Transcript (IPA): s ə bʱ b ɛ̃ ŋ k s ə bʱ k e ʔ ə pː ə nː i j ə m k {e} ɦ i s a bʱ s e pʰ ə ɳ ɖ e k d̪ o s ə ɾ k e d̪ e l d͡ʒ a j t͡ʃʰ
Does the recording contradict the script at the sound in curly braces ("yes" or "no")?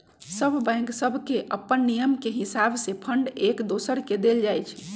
no